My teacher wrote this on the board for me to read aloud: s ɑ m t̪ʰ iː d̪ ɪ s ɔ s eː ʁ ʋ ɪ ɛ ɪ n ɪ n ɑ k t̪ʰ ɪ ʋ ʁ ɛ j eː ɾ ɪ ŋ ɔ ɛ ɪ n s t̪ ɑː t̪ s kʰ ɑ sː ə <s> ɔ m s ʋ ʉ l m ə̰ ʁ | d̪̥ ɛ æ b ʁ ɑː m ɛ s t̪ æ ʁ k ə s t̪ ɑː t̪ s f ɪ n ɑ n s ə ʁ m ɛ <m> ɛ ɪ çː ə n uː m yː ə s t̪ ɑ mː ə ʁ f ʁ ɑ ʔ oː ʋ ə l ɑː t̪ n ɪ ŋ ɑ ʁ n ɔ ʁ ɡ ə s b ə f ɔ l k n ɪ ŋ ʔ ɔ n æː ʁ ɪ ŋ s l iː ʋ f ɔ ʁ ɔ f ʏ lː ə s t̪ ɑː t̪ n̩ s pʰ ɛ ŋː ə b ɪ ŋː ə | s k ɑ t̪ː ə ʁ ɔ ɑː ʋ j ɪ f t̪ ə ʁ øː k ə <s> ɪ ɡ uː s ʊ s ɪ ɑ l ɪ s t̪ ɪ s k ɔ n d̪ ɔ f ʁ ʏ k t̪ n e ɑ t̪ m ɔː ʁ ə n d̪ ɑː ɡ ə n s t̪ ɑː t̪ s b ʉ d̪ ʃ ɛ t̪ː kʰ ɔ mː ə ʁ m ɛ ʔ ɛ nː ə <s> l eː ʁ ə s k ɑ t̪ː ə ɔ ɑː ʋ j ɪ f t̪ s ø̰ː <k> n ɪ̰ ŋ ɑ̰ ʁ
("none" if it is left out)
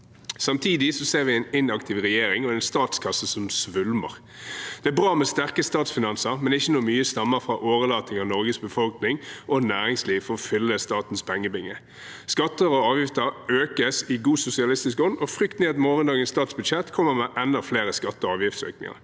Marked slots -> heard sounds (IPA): s, n, s, f, k

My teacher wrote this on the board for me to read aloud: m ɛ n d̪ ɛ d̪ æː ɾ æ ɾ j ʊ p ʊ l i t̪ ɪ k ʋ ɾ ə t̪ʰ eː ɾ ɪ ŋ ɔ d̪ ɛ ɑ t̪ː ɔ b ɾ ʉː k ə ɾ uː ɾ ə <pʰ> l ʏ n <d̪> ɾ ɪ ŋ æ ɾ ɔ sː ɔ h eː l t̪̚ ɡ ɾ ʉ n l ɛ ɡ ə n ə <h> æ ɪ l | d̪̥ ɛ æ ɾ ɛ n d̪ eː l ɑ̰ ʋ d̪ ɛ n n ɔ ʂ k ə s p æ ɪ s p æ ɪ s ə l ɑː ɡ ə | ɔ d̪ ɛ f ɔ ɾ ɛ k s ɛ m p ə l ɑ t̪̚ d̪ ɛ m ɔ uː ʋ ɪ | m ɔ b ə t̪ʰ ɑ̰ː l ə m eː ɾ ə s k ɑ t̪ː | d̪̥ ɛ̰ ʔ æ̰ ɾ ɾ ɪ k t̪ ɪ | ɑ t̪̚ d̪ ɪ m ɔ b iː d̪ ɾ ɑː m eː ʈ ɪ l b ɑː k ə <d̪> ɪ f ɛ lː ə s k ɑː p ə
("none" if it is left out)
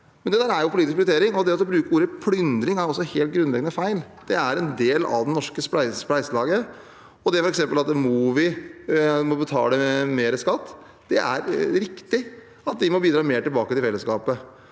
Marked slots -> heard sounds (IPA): pʰ, d̪, f, t̪

